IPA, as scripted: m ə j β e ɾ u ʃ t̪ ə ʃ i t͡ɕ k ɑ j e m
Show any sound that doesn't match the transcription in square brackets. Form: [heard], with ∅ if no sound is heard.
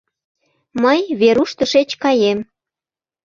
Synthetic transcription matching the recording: m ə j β e ɾ u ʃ t̪ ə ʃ [e] t͡ɕ k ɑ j e m